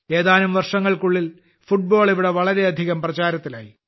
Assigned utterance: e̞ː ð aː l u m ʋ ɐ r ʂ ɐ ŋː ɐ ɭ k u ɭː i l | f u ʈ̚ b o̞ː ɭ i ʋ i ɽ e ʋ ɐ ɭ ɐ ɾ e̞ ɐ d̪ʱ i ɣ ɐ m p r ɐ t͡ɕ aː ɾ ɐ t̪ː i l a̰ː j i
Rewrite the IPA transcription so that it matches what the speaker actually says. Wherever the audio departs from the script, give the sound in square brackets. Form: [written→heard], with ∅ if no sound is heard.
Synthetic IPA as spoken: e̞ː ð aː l u m ʋ ɐ r ʂ ɐ ŋː ɐ ɭ k u ɭː i l | f u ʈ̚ b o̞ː ɭ i ʋ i ɽ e ʋ ɐ ɭ ɐ ɾ e̞ ɐ d̪ʱ i ɣ ɐ m p r ɐ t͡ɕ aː ɾ ɐ t̪ː i l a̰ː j i